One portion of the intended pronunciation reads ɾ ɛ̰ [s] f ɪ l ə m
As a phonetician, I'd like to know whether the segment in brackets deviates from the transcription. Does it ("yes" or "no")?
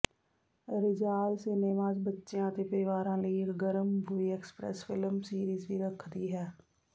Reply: no